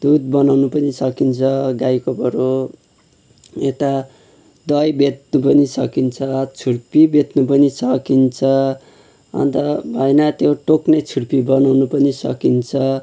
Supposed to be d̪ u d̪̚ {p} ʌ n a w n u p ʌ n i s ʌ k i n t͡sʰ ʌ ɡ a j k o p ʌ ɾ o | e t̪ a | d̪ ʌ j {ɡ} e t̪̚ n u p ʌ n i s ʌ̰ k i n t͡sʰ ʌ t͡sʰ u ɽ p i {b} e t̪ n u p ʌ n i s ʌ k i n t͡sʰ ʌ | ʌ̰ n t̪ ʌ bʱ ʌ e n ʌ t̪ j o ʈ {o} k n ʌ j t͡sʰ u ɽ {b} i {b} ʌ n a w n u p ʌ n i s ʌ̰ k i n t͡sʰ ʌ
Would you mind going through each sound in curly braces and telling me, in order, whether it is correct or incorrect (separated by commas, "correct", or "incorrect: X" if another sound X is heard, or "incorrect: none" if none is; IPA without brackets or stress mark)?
incorrect: b, incorrect: b, correct, correct, incorrect: p, correct